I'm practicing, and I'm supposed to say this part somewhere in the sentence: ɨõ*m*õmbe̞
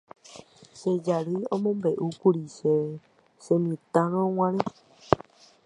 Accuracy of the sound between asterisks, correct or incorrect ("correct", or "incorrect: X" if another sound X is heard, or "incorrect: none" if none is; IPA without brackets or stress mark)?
correct